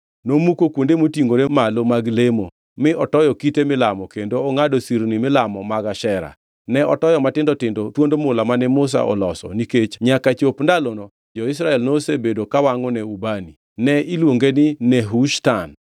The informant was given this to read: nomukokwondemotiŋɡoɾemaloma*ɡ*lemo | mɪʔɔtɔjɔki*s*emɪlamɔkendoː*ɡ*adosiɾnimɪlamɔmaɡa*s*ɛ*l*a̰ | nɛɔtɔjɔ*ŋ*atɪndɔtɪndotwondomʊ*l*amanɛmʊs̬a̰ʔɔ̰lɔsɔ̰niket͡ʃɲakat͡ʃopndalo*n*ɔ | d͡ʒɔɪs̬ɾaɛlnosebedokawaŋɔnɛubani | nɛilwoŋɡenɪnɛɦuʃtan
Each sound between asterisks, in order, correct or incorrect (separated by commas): correct, incorrect, incorrect, incorrect, incorrect, incorrect, correct, correct